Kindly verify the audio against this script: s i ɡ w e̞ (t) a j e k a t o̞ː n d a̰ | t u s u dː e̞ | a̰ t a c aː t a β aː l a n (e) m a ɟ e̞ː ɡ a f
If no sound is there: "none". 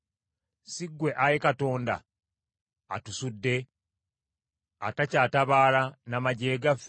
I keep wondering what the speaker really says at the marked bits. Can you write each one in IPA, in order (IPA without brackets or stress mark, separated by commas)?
ʔ, a